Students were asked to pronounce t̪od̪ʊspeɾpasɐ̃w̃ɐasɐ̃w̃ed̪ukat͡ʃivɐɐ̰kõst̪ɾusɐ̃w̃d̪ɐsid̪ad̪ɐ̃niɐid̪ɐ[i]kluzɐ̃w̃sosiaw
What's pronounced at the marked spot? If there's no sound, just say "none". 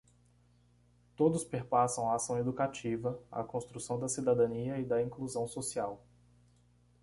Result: ĩ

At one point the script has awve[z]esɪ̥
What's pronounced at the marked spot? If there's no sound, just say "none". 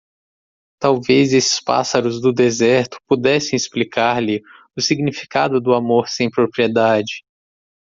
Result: z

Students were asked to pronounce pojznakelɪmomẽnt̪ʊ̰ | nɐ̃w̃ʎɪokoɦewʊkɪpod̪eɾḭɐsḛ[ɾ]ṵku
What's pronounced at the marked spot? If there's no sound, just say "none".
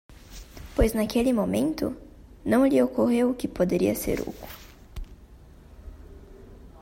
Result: ɾ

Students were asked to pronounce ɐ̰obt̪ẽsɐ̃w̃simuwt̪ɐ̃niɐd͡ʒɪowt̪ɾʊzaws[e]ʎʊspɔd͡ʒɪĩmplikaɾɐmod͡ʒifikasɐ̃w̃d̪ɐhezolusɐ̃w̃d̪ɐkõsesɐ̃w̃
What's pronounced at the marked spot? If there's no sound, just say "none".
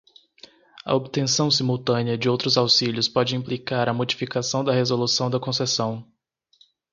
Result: i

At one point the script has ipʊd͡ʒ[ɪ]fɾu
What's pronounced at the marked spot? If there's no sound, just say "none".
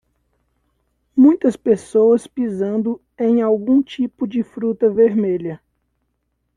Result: ɪ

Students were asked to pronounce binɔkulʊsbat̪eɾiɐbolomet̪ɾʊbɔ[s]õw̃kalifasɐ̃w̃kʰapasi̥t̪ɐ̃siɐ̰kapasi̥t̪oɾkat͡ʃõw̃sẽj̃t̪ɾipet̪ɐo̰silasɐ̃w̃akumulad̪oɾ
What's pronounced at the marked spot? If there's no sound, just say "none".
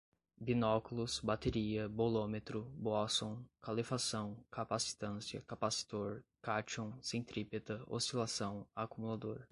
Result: s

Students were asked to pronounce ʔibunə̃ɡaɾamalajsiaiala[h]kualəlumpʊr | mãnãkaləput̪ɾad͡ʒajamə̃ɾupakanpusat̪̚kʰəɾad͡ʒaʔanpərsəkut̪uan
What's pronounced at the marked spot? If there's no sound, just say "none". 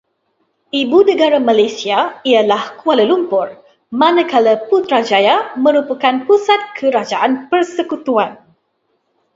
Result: h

